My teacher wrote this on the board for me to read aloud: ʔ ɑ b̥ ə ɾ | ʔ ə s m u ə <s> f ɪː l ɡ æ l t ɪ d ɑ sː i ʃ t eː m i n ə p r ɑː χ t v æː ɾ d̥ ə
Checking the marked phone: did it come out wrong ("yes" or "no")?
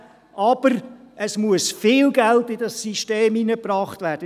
no